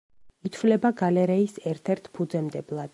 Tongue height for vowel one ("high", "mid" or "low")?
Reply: high